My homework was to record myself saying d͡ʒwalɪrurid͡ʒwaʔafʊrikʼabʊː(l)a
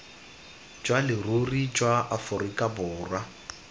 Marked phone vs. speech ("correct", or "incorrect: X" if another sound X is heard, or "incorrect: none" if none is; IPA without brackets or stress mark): incorrect: r